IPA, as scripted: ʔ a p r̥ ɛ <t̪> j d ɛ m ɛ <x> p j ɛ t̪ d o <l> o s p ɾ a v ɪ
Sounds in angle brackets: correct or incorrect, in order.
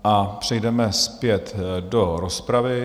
incorrect, incorrect, incorrect

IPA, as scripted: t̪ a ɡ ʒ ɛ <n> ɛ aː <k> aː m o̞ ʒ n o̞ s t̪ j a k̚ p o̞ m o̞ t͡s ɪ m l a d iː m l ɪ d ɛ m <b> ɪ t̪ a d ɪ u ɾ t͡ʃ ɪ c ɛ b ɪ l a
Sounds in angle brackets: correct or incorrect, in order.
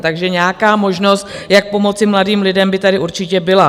incorrect, correct, correct

